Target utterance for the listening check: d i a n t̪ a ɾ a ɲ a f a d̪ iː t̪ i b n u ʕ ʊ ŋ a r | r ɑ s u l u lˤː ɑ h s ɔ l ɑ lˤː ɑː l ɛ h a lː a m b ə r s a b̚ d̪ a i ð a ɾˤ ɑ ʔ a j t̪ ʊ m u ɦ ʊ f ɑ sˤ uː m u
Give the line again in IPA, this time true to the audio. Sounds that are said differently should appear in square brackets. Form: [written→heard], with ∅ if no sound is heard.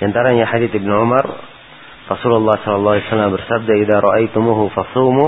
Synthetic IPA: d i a n t̪ a ɾ a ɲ a [f→ħ] a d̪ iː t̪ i b n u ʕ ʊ [ŋ→m] a r | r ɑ s u l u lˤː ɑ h s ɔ l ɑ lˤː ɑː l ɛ [h→s] a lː a m b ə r s a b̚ d̪ a i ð a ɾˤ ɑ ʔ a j t̪ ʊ m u ɦ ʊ f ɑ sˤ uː m u